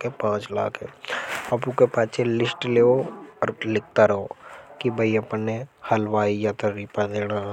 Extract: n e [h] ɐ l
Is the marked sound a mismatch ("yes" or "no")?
no